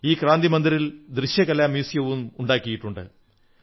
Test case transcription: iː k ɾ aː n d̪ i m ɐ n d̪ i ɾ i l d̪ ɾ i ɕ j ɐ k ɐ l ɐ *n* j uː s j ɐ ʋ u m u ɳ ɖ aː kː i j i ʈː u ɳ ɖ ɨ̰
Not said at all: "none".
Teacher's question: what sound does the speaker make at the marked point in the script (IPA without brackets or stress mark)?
m